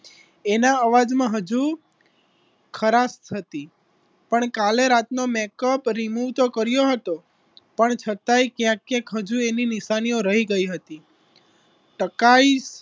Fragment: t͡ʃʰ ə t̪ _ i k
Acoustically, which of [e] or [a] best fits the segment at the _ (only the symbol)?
a